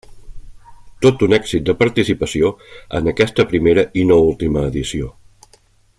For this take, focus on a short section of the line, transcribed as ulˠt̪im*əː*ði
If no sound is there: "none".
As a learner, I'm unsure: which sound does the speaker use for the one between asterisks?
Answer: əː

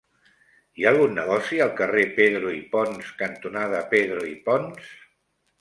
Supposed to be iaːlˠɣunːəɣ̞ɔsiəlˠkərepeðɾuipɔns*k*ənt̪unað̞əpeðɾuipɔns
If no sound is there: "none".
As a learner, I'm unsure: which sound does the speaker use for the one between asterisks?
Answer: k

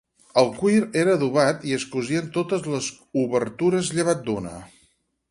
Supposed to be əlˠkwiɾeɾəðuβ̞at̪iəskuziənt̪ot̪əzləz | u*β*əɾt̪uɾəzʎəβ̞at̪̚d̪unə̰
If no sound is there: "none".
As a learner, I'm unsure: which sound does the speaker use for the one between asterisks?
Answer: β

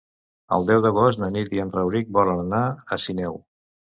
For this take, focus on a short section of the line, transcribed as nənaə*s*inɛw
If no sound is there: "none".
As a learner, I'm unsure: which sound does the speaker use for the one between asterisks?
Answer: s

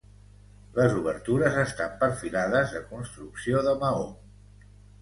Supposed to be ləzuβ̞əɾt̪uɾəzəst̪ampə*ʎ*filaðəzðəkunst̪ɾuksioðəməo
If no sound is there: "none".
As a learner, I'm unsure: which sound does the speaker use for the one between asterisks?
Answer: ɾ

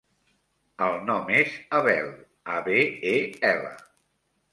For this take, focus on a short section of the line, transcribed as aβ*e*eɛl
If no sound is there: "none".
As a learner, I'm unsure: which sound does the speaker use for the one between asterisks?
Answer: e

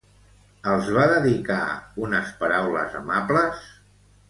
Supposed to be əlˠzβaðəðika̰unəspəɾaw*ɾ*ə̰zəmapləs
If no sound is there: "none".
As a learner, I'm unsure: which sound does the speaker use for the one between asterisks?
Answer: l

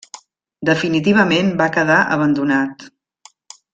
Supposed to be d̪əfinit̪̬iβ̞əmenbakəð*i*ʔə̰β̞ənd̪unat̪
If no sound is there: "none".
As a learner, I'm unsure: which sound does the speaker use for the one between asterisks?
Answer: a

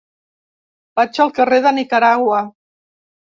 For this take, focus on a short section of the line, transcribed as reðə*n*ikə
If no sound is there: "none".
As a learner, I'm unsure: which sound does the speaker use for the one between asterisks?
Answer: n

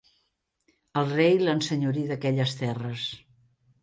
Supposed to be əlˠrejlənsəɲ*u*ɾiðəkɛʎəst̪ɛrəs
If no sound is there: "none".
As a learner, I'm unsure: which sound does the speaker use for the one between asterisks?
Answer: u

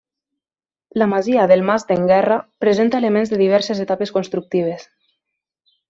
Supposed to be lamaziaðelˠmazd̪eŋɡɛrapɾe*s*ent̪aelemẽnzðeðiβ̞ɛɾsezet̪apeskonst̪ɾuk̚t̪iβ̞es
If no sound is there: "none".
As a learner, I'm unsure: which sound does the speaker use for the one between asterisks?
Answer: z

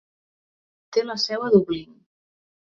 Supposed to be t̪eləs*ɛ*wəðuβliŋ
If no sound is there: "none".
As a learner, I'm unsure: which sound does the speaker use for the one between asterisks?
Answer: ɛ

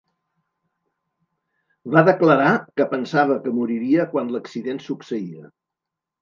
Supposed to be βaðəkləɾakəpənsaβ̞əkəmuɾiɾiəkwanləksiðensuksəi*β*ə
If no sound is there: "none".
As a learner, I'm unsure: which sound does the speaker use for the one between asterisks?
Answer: none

